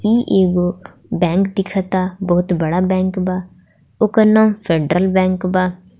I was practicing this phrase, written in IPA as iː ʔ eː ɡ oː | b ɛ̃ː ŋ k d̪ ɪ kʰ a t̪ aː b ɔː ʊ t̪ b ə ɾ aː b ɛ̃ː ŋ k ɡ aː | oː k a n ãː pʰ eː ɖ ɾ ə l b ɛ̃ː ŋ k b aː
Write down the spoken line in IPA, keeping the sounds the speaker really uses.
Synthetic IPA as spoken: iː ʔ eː ɡ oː | b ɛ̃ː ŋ k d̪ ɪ kʰ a t̪ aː b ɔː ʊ t̪ b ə ɽ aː b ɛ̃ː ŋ k b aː | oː k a n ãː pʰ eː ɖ ɾ ə l b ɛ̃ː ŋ k b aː